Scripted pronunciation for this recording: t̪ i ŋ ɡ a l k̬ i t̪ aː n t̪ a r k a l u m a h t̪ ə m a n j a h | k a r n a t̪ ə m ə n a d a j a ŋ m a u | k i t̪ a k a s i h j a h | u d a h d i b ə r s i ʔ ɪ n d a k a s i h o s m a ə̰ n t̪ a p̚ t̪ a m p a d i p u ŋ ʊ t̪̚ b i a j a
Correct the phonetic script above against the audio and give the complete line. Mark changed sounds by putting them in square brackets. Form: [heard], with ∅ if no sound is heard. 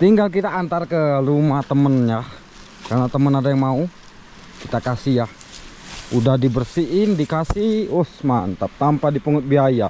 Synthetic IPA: t̪ i ŋ ɡ a l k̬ i t̪ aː n t̪ a r k [ə] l u m a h t̪ ə m [ə] n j a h | k a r n a t̪ ə m ə n a d a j a ŋ m a u | k i t̪ a k a s i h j a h | u d a h d i b ə r s i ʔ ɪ n d [i] k a s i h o s m a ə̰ n t̪ a p̚ t̪ a m p a d i p u ŋ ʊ t̪̚ b i a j a